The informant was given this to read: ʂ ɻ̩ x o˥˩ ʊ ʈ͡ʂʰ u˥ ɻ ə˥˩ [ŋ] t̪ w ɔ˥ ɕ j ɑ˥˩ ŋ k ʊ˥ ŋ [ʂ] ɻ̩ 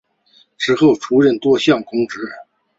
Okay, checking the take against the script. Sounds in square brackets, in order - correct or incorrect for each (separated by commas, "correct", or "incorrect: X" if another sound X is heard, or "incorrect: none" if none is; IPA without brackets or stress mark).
incorrect: n, incorrect: ʈ͡ʂ